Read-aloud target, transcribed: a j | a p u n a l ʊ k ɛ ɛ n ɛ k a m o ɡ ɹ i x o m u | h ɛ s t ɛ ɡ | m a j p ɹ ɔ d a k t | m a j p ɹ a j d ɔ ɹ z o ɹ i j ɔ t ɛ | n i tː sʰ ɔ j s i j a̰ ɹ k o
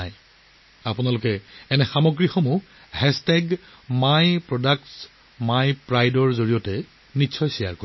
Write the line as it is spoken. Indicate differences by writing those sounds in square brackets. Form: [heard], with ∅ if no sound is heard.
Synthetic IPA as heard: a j | a p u n a l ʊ k ɛ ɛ n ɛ [x] a m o ɡ ɹ i x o m u | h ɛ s t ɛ ɡ | m a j p ɹ ɔ d a k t | m a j p ɹ a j d ɔ ɹ z o ɹ i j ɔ t ɛ | n i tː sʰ ɔ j s i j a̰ ɹ k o